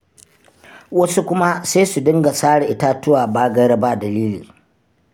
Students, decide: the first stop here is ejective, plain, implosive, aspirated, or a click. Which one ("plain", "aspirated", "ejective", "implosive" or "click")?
plain